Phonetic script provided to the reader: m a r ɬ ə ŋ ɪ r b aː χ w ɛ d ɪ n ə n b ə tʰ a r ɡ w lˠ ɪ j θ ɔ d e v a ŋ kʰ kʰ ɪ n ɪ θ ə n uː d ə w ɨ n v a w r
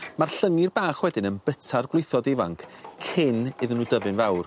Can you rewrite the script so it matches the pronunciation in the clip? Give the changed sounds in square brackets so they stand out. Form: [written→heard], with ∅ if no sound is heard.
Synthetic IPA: m a r ɬ ə ŋ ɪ r b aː χ w ɛ d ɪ n ə n b ə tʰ a r ɡ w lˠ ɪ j θ ɔ d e v a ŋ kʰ kʰ ɪ n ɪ [θ→ð] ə n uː d ə [w→v] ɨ n v a w r